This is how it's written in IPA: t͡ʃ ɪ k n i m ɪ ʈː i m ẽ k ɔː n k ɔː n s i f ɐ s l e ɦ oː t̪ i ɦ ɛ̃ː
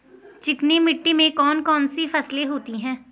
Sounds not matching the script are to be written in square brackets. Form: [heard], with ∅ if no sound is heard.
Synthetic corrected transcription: t͡ʃ ɪ k n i m ɪ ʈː i m ẽ k ɔː n k ɔː n s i f ɐ s l e ɦ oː t̪ i ɦ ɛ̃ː